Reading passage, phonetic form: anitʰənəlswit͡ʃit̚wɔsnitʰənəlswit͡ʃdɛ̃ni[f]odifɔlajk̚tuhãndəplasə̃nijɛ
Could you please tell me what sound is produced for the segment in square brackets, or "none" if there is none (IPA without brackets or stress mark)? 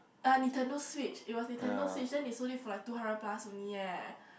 s